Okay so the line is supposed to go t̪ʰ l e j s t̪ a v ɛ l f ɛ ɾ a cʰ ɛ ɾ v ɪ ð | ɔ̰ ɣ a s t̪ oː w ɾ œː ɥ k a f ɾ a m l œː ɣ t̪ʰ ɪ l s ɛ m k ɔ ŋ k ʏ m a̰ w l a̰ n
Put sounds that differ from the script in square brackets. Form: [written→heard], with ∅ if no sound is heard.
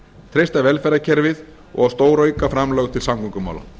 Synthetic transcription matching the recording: t̪ʰ [l→ɾ] e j s t̪ a v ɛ l f ɛ ɾ a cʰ ɛ ɾ v ɪ ð | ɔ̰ ɣ a s t̪ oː w ɾ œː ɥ k a f ɾ a m l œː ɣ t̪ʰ ɪ l s [ɛ→a] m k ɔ ŋ k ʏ m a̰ w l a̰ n